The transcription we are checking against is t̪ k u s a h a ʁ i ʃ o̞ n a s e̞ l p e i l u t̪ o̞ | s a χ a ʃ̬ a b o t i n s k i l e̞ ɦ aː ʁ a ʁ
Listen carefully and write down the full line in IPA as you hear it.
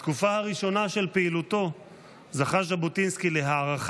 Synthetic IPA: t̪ k u f a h a ʁ i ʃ o̞ n a ʃ e̞ l p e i l u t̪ o̞ | z a χ a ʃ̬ a b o t i n s k i l e̞ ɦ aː ʁ a χ